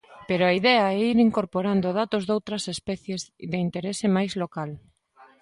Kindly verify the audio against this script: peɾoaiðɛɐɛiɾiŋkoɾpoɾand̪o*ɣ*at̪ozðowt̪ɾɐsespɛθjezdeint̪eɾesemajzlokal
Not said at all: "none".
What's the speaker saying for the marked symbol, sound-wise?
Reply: ð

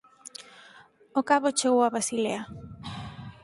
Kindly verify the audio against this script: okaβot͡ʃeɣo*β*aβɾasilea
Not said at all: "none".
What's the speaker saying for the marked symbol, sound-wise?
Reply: w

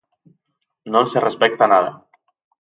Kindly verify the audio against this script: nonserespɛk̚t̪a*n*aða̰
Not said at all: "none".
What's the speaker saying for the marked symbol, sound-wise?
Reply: n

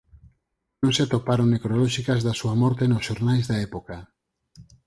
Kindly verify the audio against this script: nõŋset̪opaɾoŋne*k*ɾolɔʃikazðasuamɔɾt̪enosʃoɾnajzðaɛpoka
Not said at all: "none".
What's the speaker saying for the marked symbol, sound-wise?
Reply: k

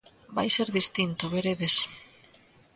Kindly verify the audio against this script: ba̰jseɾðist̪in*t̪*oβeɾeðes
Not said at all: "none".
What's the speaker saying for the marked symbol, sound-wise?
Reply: t̪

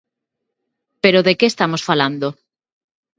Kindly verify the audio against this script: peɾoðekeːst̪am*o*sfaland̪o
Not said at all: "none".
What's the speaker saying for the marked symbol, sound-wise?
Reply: o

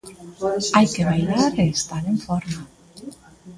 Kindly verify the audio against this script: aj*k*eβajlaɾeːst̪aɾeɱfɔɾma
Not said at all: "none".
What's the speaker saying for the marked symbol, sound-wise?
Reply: k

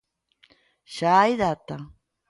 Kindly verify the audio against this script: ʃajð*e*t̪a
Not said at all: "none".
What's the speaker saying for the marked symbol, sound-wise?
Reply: a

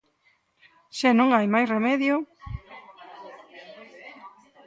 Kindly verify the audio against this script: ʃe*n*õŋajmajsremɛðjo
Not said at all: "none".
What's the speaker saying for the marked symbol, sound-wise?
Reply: n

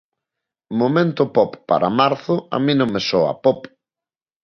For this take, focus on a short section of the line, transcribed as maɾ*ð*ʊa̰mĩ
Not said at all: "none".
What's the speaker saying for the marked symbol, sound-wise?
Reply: θ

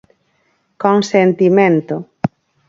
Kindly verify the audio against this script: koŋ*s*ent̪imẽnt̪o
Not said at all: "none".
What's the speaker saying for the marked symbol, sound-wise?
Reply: s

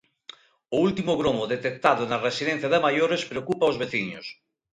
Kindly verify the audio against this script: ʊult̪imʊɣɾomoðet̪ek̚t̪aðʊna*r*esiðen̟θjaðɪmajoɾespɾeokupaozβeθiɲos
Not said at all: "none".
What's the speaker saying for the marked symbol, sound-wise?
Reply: r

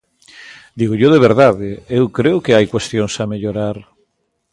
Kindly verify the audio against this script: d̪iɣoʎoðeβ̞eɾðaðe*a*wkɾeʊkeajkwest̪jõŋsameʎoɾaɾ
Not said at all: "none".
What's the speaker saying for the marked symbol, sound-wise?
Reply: e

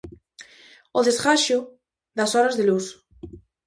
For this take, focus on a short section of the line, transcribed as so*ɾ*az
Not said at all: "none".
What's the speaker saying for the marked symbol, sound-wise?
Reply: ɾ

